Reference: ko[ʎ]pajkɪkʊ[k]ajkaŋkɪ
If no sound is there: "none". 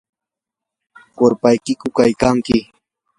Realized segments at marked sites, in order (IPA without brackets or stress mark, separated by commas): ɾ, k